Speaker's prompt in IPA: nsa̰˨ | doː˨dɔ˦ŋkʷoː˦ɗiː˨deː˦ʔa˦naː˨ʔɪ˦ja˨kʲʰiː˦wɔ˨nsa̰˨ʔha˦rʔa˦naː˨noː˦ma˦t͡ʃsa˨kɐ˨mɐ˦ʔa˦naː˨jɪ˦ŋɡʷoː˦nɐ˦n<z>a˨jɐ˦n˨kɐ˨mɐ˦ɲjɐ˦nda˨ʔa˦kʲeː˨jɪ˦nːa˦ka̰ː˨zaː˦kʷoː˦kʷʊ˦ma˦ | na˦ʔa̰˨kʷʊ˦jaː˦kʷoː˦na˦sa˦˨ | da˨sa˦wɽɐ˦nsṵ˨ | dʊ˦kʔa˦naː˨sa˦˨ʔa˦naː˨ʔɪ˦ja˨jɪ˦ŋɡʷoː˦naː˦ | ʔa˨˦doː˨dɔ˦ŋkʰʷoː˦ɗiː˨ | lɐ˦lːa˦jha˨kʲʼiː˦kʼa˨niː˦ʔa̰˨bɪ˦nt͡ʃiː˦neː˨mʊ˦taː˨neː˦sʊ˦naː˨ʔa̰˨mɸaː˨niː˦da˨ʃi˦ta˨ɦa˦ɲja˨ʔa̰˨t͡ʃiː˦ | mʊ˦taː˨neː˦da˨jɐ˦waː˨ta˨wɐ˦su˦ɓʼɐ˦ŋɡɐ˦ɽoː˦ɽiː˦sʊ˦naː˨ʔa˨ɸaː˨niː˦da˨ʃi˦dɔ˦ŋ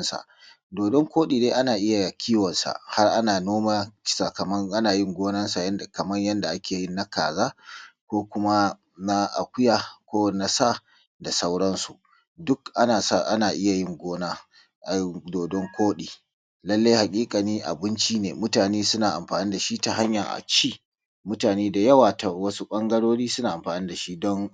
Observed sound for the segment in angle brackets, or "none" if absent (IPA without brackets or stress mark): s